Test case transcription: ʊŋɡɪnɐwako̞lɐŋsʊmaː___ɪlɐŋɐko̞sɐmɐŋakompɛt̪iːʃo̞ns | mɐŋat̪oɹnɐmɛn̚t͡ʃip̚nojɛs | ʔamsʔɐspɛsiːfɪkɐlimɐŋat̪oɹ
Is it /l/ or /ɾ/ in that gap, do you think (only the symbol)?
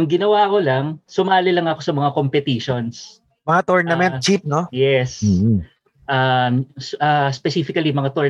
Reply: l